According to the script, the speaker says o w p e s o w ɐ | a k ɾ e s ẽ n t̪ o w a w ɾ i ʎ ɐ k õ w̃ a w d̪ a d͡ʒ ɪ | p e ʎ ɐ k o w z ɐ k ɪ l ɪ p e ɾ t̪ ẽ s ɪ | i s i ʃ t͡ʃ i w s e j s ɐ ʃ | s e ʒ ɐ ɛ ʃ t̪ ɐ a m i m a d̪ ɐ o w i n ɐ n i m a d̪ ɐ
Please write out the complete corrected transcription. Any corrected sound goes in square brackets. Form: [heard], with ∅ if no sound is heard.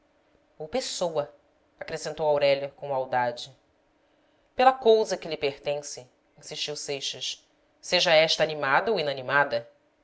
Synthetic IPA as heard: o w p e s o w ɐ | a k ɾ e s ẽ n t̪ o w a w ɾ [ɛ] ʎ ɐ k õ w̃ a w d̪ a d͡ʒ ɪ | p e [l] ɐ k o w z ɐ k ɪ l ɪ p e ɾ t̪ ẽ s ɪ | [ĩ] s i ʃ t͡ʃ i w s e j [ʃ] ɐ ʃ | s e ʒ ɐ ɛ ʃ t̪ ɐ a [n] i m a d̪ ɐ o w i n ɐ n i m a d̪ ɐ